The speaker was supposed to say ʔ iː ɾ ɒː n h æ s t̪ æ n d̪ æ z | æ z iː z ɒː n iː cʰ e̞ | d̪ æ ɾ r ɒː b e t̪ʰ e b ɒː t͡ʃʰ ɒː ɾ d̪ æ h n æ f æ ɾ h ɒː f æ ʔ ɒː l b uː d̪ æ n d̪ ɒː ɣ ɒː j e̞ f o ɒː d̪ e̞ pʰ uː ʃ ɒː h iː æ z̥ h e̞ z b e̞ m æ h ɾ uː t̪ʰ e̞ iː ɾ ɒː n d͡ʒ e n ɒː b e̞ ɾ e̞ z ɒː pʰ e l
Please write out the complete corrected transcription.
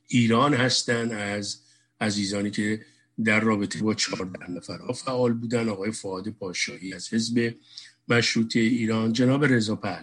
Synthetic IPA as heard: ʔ iː ɾ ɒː n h æ s t̪ æ n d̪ æ z | æ z iː z ɒː n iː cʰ e̞ | d̪ æ ɾ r ɒː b e t̪ʰ e b ɒː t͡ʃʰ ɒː ɾ d̪ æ h n æ f æ ɾ h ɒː f æ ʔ ɒː l b uː d̪ æ n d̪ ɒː ɣ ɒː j e̞ f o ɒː d̪ e̞ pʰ ɒː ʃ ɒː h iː æ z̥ h e̞ z b e̞ m æ ʃ ɾ uː t̪ʰ e̞ iː ɾ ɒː n d͡ʒ e n ɒː b e̞ ɾ e̞ z ɒː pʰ æ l